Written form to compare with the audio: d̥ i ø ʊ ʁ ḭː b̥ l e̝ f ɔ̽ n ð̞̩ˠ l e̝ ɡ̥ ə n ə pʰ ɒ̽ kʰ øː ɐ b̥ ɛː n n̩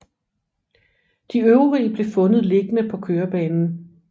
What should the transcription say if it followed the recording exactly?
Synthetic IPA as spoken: d̥ i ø ʊ ʁ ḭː b̥ l e̝ f ɔ̽ n ð̞̩ˠ l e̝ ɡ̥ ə n ə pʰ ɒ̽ kʰ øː ɐ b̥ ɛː n n̩